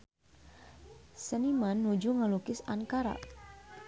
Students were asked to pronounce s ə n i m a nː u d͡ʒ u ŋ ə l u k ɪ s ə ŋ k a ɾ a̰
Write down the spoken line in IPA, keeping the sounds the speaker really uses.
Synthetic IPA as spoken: s ə n i m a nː u d͡ʒ u ŋ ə l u k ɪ s a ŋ k a ɾ a̰